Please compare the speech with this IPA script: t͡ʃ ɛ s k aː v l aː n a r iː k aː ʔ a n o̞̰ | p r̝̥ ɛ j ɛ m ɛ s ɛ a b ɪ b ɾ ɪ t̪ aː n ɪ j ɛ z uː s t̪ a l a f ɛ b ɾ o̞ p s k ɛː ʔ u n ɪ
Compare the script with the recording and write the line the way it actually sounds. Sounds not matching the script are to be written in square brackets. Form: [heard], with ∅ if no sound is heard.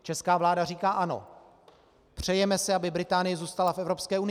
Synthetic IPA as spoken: t͡ʃ ɛ s k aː v l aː [d] a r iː k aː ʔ a n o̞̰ | p r̝̥ ɛ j ɛ m ɛ s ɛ a b ɪ b ɾ ɪ t̪ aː n ɪ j ɛ z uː s t̪ a l a f ɛ [v] ɾ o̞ p s k ɛː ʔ u n ɪ

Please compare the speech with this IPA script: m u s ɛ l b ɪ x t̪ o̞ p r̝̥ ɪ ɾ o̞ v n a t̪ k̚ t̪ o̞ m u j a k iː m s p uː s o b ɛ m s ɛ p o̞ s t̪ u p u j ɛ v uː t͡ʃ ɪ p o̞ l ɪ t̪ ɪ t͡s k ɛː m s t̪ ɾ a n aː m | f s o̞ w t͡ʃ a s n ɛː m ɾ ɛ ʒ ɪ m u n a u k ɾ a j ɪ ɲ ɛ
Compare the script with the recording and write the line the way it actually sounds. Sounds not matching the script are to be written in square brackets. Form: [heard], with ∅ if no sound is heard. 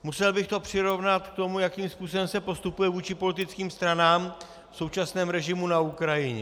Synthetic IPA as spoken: m u s ɛ l b ɪ x t̪ o̞ p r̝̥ ɪ ɾ o̞ v n a t̪ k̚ t̪ o̞ m u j a k iː m s p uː s o b ɛ m s ɛ p o̞ s t̪ u p u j ɛ v uː t͡ʃ ɪ p o̞ l ɪ t̪ ɪ t͡s k [iː] m s t̪ ɾ a n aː m | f s o̞ w t͡ʃ a s n ɛː m ɾ ɛ ʒ ɪ m u n a u k ɾ a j ɪ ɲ ɛ

